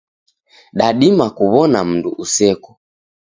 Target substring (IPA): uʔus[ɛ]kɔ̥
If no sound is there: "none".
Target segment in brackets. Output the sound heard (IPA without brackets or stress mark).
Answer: ɛ